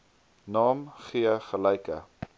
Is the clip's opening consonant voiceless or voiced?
voiced